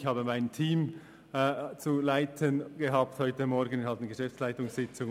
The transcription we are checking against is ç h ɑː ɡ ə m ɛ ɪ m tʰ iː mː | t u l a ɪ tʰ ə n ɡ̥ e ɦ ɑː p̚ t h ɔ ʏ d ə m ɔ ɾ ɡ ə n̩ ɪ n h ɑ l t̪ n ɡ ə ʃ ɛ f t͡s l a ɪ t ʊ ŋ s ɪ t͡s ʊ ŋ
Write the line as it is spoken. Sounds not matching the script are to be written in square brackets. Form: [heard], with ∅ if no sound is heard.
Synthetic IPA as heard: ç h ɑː [b] ə m [a] ɪ [n] tʰ iː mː | [t͡s] u l a ɪ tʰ ə n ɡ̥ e ɦ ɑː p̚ t h ɔ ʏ [t] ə m ɔ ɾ ɡ ə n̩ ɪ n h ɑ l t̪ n ɡ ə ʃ ɛ f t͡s l a ɪ t ʊ ŋ s ɪ t͡s ʊ ŋ